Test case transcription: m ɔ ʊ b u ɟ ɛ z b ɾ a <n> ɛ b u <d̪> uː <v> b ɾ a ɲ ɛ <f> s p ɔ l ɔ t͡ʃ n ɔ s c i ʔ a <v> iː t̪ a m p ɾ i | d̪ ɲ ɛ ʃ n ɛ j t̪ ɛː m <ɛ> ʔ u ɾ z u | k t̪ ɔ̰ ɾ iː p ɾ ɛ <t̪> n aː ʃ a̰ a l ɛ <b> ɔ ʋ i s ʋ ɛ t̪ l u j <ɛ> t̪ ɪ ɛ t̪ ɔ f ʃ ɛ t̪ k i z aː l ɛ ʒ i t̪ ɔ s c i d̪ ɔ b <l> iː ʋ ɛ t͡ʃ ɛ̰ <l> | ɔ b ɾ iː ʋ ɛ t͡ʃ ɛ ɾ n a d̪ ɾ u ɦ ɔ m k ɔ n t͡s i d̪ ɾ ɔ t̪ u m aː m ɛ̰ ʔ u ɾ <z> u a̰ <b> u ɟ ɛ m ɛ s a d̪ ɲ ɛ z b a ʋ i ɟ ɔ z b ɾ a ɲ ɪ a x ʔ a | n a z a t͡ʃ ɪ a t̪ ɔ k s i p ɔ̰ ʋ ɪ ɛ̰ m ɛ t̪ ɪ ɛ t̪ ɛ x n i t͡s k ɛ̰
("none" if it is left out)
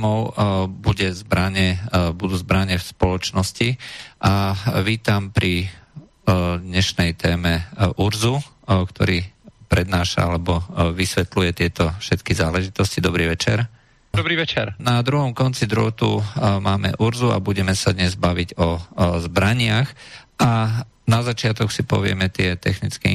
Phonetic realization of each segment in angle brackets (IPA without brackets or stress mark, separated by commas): ɲ, d̪, z, f, ʋ, ɛ, d̪, b, ɛ, ɾ, ɾ, z, b